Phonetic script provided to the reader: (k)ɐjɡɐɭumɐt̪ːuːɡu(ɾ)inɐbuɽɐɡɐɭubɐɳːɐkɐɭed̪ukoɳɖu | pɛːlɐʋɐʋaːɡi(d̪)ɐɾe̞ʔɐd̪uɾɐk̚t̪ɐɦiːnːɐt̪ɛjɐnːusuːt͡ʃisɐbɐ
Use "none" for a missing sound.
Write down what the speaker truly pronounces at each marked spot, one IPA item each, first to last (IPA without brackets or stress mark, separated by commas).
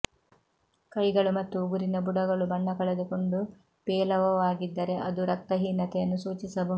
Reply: k, ɾ, d̪ː